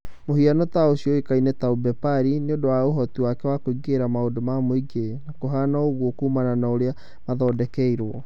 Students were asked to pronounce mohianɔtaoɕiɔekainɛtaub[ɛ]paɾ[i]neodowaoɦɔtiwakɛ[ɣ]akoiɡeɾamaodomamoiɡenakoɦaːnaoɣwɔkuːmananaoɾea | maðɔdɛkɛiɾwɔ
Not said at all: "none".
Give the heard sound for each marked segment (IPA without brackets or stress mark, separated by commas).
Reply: ɛ, i, w